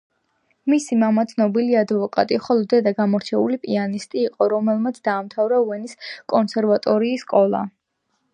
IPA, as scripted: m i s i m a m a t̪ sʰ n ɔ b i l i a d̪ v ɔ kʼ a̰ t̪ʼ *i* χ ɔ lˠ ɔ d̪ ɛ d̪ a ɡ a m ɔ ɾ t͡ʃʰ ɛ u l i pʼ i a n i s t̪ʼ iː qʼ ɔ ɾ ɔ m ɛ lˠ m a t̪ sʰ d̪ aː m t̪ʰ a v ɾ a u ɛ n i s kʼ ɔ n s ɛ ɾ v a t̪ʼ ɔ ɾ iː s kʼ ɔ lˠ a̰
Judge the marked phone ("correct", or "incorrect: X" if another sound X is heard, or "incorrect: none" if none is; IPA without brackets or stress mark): correct